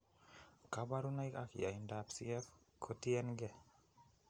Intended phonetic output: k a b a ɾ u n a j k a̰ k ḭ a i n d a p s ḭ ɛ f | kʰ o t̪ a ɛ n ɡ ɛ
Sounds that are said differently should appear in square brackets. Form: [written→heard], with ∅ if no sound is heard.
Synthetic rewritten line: k a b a ɾ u n a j k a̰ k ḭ a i n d a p s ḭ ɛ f | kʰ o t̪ [a→i] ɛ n ɡ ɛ